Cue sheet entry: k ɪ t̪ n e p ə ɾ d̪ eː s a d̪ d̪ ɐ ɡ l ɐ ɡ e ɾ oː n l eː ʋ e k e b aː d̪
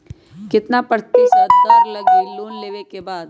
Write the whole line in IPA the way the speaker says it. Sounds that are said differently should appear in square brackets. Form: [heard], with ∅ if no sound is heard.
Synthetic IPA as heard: k ɪ t̪ n [a] p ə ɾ [t̪] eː s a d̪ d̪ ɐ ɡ l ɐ ɡ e [l] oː n l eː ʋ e k e b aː d̪